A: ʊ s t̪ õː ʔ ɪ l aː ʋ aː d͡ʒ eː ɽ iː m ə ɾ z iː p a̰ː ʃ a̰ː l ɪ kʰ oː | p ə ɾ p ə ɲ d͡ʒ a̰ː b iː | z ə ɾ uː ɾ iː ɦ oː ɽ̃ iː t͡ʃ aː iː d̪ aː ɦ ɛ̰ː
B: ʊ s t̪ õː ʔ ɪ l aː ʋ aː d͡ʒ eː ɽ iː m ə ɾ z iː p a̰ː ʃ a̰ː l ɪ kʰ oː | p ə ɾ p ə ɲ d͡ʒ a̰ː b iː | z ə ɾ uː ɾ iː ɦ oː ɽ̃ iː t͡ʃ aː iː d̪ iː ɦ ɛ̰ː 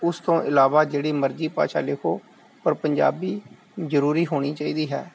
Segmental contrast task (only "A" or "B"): B